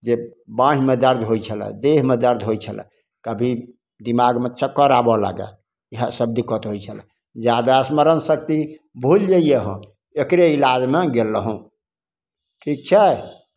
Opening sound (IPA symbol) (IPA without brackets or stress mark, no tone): d͡ʒ